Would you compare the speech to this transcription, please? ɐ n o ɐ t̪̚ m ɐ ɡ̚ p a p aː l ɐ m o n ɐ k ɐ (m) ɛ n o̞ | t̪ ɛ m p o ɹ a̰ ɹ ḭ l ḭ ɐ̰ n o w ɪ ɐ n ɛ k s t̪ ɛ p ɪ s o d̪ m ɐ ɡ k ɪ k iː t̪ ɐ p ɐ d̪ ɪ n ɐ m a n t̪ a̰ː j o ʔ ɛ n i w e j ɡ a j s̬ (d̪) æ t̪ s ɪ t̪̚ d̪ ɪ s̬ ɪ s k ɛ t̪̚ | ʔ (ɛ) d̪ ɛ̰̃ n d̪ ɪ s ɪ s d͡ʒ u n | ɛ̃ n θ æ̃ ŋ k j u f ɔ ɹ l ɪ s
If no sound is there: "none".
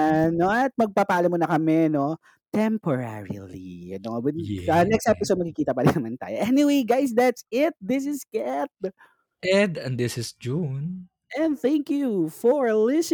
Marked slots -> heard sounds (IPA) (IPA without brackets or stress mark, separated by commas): m, d̪, ɛ